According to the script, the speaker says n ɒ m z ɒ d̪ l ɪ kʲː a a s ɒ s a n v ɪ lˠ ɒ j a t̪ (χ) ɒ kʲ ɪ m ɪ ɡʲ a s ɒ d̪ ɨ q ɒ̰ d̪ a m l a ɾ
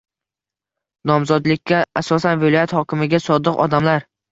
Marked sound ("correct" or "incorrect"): incorrect